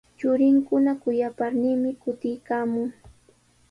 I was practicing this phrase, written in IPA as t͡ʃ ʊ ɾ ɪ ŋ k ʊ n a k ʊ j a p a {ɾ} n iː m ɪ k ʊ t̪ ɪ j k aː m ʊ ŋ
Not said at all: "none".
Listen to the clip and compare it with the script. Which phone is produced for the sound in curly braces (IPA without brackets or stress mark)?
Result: ɾ